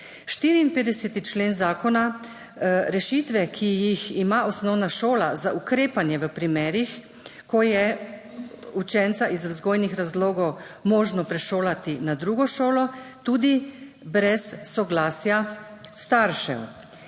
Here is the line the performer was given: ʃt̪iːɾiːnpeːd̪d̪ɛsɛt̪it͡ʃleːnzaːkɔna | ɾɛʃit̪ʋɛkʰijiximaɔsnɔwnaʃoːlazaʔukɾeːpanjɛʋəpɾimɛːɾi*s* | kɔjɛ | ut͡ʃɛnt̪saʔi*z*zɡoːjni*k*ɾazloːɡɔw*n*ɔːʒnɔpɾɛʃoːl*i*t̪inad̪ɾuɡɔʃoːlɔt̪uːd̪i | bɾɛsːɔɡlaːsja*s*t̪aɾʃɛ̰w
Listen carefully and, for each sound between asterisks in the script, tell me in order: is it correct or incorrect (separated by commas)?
incorrect, correct, incorrect, incorrect, incorrect, correct